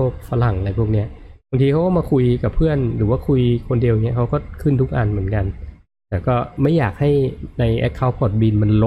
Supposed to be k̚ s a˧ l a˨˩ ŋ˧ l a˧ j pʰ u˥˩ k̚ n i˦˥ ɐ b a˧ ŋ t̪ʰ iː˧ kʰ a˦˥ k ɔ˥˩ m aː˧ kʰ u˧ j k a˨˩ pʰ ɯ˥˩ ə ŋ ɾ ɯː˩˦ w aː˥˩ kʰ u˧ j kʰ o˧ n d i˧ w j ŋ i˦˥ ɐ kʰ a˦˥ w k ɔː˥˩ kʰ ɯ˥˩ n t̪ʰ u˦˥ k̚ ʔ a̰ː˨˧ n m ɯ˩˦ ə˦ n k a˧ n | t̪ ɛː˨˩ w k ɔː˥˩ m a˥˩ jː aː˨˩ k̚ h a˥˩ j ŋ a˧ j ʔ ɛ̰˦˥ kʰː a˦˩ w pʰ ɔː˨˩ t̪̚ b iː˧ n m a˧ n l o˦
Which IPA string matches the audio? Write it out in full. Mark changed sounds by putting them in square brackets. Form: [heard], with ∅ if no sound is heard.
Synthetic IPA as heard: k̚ [f] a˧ l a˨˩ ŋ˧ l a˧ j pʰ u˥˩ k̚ n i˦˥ ɐ b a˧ ŋ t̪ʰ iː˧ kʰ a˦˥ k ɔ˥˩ m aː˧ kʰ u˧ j k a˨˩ pʰ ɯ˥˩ ə [n] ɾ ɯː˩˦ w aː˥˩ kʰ u˧ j kʰ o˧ n d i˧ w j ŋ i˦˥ ɐ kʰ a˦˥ w k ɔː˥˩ kʰ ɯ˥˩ n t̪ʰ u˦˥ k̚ ʔ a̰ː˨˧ n m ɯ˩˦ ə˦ n k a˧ n | t̪ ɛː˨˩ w k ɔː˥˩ m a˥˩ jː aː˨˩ k̚ h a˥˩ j [n] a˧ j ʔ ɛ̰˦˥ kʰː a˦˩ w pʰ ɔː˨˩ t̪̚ b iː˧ n m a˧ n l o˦